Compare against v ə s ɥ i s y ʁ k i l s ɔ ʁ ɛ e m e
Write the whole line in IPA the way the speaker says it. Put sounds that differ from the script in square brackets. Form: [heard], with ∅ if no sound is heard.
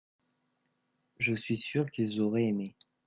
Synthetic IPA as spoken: [ʒ] ə s ɥ i s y ʁ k i l [z] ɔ ʁ ɛ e m e